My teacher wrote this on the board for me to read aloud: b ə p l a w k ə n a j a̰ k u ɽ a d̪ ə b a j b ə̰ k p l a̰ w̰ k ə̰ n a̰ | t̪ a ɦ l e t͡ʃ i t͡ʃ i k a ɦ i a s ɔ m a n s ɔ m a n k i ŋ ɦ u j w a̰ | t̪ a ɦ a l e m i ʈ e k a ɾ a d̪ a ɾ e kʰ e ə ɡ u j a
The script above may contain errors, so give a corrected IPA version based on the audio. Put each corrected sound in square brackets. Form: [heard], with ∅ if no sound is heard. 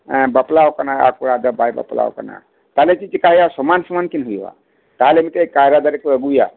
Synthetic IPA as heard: b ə p l a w k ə n a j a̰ k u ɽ a d̪ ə b a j b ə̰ [∅] p l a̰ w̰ k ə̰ n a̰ | t̪ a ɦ l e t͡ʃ i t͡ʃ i k a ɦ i a s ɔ m a n s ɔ m a n k i [n] ɦ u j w a̰ | t̪ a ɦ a l e m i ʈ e k a ɾ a d̪ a ɾ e [k] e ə ɡ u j a

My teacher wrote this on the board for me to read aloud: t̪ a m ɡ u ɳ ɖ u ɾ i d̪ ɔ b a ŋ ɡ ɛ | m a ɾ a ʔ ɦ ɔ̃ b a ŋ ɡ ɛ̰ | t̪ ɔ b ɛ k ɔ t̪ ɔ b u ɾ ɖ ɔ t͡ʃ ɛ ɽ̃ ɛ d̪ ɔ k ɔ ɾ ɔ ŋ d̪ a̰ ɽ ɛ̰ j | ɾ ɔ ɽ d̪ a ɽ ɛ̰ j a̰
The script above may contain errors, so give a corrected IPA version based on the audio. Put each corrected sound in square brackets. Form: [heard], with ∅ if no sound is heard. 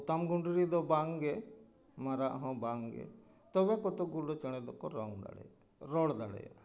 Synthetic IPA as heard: t̪ a m ɡ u ɳ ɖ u ɾ i d̪ ɔ b a ŋ ɡ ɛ | m a ɾ a ʔ ɦ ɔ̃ b a ŋ ɡ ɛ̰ | t̪ ɔ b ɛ k ɔ t̪ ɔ [ɡ] u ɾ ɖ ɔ t͡ʃ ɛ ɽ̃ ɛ d̪ ɔ k ɔ ɾ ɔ ŋ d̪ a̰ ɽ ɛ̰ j | ɾ ɔ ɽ d̪ a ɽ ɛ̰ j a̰

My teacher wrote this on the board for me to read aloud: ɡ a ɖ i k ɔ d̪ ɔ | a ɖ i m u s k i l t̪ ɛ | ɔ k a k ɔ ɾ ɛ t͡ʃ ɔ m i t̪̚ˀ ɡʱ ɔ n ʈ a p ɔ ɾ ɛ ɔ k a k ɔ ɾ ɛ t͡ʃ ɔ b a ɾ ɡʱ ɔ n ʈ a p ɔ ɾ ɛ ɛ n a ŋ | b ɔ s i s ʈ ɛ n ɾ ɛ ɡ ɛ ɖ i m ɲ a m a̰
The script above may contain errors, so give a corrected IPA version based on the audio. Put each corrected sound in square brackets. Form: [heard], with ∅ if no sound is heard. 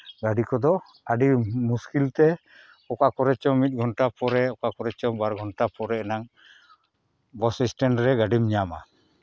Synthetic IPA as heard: ɡ a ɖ i k ɔ d̪ ɔ | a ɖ i m u s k i l t̪ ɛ | ɔ k a k ɔ ɾ ɛ t͡ʃ ɔ m i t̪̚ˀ ɡʱ ɔ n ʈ a p ɔ ɾ ɛ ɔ k a k ɔ ɾ ɛ t͡ʃ ɔ b a ɾ ɡʱ ɔ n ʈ a p ɔ ɾ ɛ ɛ n a ŋ | b ɔ s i s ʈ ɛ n ɾ ɛ ɡ [a] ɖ i m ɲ a m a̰

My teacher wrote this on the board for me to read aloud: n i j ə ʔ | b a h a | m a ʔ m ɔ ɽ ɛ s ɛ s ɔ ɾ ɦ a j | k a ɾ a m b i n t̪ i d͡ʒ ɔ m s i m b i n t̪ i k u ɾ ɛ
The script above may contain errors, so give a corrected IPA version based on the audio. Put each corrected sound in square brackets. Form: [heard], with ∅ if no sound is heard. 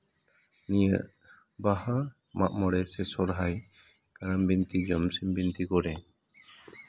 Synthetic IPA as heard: n i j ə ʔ | b a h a | m a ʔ m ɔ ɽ ɛ s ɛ s ɔ ɾ ɦ a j | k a ɾ a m b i n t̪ i d͡ʒ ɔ m s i m b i n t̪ i k [ɔ] ɾ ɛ

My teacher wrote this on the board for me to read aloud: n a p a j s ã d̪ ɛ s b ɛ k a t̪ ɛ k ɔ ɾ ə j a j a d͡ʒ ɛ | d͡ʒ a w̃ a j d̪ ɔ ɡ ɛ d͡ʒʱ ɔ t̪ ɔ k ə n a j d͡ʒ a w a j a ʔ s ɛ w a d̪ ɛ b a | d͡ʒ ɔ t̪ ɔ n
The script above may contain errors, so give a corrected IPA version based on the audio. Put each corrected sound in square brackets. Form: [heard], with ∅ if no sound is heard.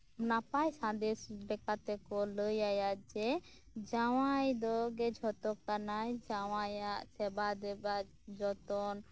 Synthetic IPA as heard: n a p a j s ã d̪ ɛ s b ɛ k a t̪ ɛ k ɔ [l] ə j a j a d͡ʒ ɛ | d͡ʒ a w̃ a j d̪ ɔ ɡ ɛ d͡ʒʱ ɔ t̪ ɔ k [a] n a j d͡ʒ a w a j a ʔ s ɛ [b] a d̪ ɛ b a | d͡ʒ ɔ t̪ ɔ n

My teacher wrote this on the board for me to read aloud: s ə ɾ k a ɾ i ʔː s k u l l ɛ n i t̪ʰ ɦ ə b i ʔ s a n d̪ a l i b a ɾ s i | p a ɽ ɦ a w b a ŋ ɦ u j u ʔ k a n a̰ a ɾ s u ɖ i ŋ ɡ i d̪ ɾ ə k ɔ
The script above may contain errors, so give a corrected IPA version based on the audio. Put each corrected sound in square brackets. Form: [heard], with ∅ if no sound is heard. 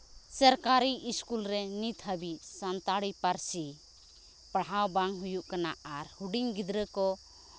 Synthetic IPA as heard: s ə ɾ k a ɾ i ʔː s k u l [ɾ] ɛ n i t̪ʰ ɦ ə b i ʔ s a n [t̪] a [ɽ] i [p] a ɾ s i | p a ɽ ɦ a w b a ŋ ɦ u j u ʔ k a n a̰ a ɾ [h] u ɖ i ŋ ɡ i d̪ ɾ ə k ɔ

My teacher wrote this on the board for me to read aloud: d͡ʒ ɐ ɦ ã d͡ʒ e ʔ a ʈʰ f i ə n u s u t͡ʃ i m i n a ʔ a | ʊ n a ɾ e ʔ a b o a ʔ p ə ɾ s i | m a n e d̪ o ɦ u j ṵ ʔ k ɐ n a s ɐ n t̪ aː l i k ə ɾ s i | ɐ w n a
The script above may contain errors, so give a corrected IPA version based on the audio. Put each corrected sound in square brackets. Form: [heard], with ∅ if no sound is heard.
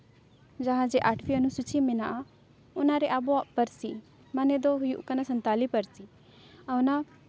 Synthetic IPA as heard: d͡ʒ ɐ ɦ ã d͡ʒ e ʔ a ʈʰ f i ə n u s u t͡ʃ i m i n a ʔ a | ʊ n a ɾ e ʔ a b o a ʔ p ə ɾ s i | m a n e d̪ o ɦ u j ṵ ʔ k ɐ n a s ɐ n t̪ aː l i [p] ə ɾ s i | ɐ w n a

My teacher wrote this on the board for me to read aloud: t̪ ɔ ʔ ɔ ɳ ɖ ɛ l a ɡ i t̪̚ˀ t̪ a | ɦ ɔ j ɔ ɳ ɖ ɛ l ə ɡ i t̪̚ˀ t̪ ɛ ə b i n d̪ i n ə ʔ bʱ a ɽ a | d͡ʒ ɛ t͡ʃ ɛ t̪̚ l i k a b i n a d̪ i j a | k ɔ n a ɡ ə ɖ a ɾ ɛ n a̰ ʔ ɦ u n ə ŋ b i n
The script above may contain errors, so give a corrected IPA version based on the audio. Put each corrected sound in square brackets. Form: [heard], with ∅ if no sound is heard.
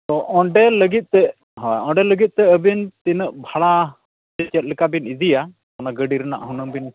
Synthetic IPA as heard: t̪ ɔ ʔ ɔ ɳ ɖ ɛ l [ə] ɡ i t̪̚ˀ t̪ [ɛ] | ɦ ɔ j ɔ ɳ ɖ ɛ l ə ɡ i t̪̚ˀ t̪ ɛ ə b i n [t̪] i n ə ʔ bʱ a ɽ a | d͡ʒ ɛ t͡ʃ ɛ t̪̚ l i k a b i n [i] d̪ i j a | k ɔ n a ɡ ə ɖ [i] ɾ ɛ n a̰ ʔ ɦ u n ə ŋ b i n

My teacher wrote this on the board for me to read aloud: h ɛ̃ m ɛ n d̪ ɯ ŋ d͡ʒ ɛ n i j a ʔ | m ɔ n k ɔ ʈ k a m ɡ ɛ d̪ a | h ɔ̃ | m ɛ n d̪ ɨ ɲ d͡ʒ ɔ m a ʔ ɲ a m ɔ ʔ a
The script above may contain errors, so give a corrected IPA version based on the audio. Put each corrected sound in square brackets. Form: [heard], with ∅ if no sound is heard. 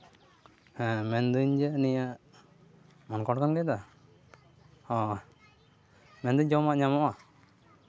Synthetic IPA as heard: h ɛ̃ m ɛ n d̪ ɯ [ɲ] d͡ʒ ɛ n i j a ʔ | m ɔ n k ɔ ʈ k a [n] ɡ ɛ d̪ a | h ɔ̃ | m ɛ n d̪ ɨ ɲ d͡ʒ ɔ m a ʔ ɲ a m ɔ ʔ a

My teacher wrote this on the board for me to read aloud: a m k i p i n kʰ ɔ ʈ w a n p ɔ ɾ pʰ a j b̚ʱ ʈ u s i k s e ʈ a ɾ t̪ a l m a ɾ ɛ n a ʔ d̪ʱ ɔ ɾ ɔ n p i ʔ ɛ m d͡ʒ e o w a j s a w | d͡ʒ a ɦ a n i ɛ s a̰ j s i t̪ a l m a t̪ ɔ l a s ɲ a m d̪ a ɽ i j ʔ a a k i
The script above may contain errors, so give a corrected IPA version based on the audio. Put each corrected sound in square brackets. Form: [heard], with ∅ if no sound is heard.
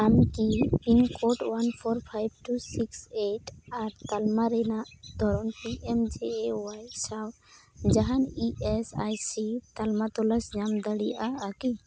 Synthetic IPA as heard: a m k i p i n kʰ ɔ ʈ w a n [pʰ] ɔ ɾ pʰ a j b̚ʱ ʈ u s i k s e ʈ a ɾ t̪ a l m a ɾ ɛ n a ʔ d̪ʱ ɔ ɾ ɔ n p i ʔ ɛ m d͡ʒ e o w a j s a w | d͡ʒ a ɦ a n i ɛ s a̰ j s i t̪ a l m a t̪ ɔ l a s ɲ a m d̪ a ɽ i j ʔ a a k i

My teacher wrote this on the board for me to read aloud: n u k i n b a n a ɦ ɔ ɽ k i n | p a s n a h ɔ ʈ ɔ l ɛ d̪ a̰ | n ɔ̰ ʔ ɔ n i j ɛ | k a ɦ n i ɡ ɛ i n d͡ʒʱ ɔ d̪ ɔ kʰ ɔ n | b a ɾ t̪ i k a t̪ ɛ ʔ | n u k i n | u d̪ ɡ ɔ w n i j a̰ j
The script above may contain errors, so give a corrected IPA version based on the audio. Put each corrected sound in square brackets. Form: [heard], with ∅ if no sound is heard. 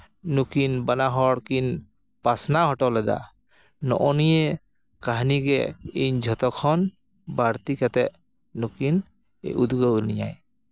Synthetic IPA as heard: n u k i n b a n a ɦ ɔ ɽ k i n | p a s n a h ɔ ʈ ɔ l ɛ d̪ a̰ | n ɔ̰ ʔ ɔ n i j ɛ | k a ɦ n i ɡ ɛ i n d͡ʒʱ ɔ [t̪] ɔ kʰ ɔ n | b a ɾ t̪ i k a t̪ ɛ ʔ | n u k i n | u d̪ ɡ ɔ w n i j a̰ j

